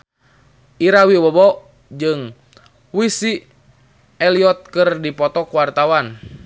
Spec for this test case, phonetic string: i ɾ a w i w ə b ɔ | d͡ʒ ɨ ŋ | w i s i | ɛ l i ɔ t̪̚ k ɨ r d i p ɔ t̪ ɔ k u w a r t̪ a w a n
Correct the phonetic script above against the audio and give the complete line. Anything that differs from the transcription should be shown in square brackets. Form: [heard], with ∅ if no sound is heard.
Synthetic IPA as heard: i ɾ a w i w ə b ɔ | d͡ʒ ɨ ŋ | w i s i | ɛ l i ɔ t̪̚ k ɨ r d i p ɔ t̪ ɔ k u w a r t̪ a w a n